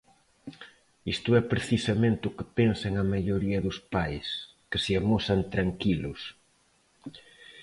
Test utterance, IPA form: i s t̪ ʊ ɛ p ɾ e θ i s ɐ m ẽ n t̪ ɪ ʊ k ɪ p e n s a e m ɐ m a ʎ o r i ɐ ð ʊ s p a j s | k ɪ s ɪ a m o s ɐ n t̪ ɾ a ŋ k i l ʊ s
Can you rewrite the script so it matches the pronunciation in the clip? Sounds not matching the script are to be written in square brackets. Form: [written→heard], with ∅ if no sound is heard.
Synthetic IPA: i s t̪ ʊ ɛ p ɾ e θ i s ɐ m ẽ n t̪ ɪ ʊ k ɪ p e n s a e [m→ŋ] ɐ m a ʎ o [r→ɾ] i ɐ ð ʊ s p a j s | k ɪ s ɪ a m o s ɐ n t̪ ɾ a ŋ k i l ʊ s